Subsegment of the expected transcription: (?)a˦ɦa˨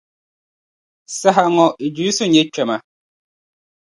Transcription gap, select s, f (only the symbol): s